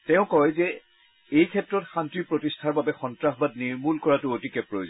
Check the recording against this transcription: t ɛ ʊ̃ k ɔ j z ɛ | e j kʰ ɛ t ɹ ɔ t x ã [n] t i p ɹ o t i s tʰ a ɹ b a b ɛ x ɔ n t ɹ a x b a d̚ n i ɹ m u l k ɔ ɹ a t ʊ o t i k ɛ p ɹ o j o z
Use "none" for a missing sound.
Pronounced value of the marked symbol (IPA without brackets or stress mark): n